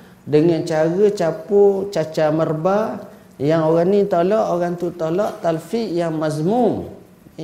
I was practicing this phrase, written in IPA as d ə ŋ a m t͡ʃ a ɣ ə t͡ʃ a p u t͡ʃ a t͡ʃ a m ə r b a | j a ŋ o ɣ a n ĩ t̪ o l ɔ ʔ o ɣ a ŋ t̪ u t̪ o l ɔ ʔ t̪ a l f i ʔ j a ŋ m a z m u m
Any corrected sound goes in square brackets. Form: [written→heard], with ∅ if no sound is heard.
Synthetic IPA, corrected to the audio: d ə ŋ a [m→n] t͡ʃ a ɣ ə t͡ʃ a p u t͡ʃ a t͡ʃ a m ə r b a | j a ŋ o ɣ a n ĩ t̪ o l ɔ ʔ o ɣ a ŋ t̪ u t̪ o l ɔ ʔ t̪ a l f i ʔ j a ŋ m a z m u m